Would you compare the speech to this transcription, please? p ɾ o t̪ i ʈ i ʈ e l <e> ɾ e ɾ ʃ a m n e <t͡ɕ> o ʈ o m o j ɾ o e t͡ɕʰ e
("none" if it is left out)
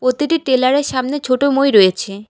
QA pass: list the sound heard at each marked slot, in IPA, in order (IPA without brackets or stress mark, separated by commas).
a, t͡ɕʰ